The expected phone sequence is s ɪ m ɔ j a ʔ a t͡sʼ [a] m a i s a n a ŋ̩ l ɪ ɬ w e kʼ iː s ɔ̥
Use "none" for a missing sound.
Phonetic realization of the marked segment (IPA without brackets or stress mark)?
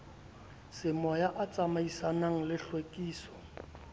a